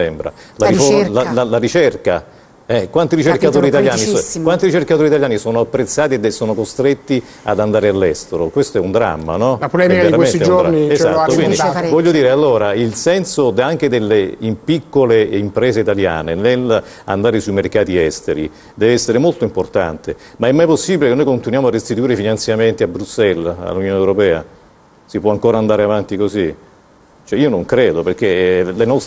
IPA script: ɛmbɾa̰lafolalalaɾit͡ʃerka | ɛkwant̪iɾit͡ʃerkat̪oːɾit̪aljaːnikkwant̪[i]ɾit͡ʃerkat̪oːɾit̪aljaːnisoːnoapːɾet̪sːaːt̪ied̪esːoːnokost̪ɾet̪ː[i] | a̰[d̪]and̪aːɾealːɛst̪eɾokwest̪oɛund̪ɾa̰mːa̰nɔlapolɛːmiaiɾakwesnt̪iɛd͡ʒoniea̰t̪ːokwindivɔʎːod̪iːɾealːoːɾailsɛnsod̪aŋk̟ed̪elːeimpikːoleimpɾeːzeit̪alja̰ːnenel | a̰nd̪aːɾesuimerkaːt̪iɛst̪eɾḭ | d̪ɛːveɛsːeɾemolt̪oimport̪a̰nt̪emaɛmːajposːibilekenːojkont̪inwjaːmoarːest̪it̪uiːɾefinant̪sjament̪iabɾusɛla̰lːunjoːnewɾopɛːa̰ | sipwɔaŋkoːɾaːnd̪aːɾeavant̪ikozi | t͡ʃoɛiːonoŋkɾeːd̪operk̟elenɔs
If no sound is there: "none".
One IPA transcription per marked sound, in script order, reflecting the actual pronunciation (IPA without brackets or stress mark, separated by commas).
i, i, d̪